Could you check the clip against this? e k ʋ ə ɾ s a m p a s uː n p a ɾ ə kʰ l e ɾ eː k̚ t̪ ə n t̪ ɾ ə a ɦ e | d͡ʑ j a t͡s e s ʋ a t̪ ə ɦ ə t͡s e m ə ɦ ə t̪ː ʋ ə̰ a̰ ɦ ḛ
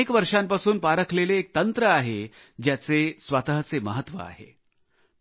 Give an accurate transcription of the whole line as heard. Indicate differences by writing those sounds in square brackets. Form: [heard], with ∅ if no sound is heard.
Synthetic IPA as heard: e k ʋ ə ɾ [ʂ] a m p a s uː n p a ɾ ə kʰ l e [l] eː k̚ t̪ ə n t̪ ɾ ə a ɦ e | d͡ʑ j a t͡s e s ʋ a t̪ ə ɦ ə t͡s e m ə ɦ ə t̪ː ʋ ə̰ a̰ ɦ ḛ